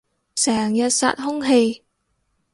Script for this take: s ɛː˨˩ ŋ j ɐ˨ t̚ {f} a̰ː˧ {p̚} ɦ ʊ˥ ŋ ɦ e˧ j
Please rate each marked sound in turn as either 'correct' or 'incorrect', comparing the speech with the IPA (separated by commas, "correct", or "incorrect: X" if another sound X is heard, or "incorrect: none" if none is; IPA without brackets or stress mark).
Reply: incorrect: s, incorrect: t̚